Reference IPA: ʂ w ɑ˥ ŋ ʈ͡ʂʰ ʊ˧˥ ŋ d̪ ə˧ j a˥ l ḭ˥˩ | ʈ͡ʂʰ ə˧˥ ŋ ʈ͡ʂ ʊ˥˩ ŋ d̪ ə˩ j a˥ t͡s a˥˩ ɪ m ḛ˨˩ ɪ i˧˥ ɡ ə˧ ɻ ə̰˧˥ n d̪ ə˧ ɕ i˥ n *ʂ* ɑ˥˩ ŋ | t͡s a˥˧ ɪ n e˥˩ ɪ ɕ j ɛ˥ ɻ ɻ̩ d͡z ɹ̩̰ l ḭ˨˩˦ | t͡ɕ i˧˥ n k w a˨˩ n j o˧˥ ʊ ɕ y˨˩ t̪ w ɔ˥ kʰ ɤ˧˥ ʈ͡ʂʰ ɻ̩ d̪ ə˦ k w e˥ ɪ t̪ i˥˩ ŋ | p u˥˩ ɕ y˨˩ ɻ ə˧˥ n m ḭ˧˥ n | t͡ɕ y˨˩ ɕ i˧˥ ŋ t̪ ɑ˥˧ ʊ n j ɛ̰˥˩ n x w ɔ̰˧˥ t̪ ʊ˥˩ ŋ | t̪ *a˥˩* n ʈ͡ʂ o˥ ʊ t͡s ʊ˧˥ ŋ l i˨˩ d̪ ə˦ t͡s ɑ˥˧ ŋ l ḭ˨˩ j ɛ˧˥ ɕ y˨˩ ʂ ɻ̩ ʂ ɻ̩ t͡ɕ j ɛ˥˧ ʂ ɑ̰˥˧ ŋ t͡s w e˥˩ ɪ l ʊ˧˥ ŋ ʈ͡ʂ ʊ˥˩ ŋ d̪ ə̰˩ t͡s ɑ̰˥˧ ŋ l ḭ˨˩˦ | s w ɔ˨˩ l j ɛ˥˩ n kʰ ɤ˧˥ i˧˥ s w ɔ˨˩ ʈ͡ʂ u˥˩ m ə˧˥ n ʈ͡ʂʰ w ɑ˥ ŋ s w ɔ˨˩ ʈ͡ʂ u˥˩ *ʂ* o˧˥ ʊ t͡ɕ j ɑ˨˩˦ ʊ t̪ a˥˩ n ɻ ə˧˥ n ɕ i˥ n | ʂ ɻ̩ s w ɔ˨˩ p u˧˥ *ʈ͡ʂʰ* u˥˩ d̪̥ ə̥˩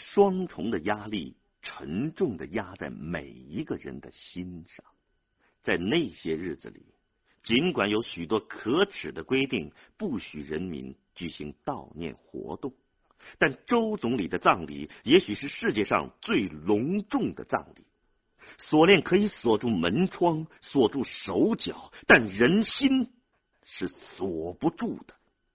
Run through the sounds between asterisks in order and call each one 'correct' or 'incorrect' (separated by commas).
correct, correct, correct, incorrect